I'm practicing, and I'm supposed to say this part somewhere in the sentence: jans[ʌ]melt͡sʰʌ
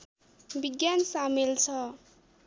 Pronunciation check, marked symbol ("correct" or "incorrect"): incorrect